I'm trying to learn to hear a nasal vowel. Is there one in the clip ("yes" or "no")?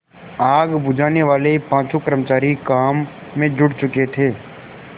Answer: yes